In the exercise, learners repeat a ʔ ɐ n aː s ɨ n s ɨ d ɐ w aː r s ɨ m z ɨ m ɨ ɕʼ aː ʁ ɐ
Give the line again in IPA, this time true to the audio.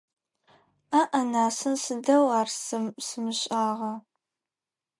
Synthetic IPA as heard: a ʔ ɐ n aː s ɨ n s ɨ d ɐ w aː r s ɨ m s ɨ m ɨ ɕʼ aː ʁ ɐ